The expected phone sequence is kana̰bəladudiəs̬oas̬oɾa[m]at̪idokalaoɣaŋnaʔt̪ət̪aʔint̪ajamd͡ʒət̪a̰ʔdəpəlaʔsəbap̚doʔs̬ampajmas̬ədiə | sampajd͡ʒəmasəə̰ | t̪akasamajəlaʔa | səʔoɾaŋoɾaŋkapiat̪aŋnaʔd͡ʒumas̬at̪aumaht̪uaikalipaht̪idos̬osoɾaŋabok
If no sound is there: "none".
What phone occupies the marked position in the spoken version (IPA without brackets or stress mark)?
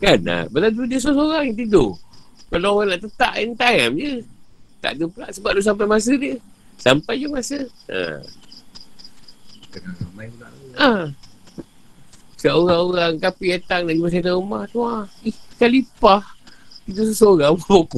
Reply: ŋ